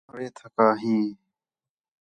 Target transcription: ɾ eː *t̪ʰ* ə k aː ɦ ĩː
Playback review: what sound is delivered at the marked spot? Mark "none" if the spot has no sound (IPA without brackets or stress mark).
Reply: t̪ʰ